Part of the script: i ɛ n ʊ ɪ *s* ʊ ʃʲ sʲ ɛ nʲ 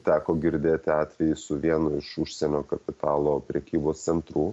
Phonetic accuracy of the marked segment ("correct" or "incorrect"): incorrect